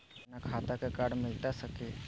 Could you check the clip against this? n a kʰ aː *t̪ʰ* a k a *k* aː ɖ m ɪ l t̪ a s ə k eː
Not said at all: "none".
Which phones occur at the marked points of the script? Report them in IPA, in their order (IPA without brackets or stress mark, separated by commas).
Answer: t̪, k